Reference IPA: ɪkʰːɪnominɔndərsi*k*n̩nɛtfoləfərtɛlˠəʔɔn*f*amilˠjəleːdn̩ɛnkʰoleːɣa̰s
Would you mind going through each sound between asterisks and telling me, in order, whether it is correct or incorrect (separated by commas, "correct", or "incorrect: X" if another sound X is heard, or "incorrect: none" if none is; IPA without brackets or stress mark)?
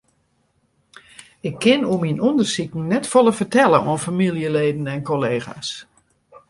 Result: correct, correct